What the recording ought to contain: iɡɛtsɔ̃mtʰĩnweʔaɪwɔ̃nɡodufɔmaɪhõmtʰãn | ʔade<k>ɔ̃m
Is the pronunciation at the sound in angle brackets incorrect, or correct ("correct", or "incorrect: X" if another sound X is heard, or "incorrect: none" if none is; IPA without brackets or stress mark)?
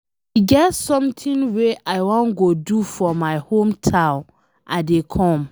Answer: incorrect: kʰ